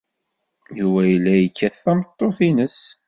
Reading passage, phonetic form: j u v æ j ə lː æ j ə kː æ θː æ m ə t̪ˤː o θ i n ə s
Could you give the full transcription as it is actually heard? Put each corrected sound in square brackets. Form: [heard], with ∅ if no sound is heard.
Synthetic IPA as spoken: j u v æ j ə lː æ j ə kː æ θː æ m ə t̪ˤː o θ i n ə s